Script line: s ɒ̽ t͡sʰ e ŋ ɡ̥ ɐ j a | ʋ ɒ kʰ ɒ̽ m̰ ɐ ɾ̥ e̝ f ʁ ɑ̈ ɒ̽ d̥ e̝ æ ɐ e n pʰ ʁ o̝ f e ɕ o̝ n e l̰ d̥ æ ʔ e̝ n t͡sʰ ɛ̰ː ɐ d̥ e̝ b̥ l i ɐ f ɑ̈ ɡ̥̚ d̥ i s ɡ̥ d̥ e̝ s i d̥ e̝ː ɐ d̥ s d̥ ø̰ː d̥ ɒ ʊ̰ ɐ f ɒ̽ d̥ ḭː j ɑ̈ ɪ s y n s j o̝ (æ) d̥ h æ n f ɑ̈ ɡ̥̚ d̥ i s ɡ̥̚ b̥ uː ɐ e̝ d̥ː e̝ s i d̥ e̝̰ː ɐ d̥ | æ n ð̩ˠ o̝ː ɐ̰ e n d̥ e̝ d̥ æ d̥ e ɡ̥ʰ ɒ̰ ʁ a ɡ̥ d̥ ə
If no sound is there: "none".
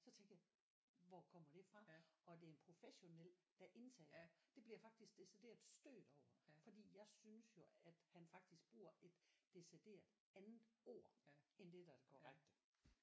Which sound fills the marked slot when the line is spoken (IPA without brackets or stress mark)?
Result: æ